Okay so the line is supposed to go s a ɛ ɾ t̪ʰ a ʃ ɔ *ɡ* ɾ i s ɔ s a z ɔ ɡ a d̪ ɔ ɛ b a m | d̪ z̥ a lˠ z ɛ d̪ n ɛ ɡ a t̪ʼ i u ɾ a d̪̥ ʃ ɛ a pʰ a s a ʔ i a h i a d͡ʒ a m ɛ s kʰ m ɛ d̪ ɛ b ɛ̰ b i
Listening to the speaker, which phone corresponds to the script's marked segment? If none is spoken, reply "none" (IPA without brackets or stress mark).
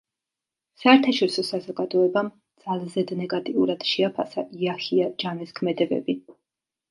none